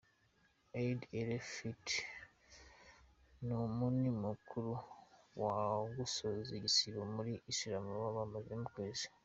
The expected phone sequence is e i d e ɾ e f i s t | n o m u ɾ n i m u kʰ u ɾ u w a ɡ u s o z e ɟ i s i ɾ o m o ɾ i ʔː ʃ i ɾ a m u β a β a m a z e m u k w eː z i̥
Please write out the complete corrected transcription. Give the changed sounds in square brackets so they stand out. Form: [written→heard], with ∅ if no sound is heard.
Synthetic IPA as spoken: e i d e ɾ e f i [s→∅] t | n o m u [ɾ→∅] n i m u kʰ u ɾ u w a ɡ u s o z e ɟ i s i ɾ o m [o→u] ɾ i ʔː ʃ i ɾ a m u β a β a m a z e m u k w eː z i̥